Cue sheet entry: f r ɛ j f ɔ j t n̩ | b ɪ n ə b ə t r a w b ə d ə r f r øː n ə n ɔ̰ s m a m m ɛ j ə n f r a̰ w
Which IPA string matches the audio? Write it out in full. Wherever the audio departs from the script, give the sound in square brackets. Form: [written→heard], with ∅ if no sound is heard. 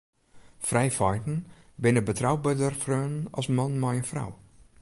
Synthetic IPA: f r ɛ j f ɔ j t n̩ | b ɪ n ə b ə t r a w b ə d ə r f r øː n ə n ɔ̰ s m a [m→n] m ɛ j ə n f r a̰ w